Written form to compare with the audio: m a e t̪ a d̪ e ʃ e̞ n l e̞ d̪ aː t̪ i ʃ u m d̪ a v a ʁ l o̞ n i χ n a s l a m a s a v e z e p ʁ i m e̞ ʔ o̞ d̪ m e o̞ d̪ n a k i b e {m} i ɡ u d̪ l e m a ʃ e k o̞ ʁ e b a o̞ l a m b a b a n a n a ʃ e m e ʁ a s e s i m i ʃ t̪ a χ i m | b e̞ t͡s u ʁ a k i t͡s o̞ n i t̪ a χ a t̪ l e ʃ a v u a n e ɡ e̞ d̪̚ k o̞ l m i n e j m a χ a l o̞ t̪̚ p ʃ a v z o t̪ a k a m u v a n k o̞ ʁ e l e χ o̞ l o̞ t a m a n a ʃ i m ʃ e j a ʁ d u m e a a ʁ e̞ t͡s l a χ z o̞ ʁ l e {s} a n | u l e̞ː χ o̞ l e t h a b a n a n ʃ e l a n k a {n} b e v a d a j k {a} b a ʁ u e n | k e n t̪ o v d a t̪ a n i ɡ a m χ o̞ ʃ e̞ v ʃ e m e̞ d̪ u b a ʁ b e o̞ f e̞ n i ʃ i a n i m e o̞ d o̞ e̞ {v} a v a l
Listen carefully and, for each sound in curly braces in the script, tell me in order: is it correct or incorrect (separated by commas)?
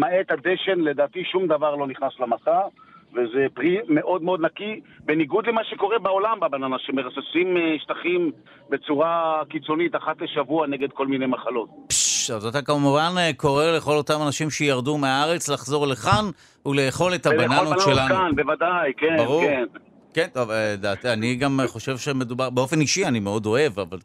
incorrect, incorrect, correct, incorrect, correct